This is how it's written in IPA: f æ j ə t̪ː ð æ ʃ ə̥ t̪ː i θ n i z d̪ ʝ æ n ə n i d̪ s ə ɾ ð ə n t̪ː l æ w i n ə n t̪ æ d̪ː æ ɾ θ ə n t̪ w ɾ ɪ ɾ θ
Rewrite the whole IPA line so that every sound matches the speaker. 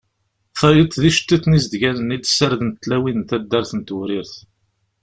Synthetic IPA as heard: f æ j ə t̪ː ð i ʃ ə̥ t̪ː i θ n i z d̪ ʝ æ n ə n i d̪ s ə ɾ ð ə n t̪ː l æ w i n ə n t̪ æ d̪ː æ ɾ θ ə n t̪ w ɾ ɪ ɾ θ